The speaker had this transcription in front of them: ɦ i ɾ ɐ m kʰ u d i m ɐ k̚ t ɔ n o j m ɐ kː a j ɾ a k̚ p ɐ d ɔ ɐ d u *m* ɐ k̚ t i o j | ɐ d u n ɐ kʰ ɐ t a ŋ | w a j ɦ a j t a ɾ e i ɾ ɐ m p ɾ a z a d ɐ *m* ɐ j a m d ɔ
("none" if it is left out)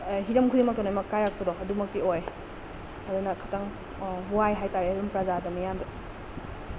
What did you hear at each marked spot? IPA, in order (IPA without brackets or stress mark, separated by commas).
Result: m, m